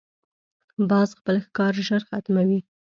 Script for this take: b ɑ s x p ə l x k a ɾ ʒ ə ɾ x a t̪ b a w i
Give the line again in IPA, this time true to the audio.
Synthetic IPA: b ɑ z x p ə l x k ɑ ɾ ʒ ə ɾ x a t̪ m a w i